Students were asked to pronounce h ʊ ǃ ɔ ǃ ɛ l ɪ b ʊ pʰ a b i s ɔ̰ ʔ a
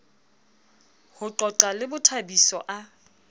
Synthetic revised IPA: h ʊ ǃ ɔ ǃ a l ɪ b ʊ tʰ a b i s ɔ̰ ʔ a